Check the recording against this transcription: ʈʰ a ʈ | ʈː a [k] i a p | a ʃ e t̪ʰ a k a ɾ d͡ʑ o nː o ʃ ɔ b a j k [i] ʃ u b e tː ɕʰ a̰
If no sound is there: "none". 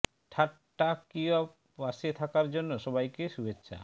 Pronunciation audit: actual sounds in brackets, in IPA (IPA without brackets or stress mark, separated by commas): k, e